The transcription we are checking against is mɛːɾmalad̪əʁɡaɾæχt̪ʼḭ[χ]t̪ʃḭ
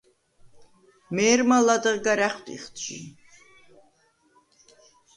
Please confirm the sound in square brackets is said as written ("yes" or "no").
yes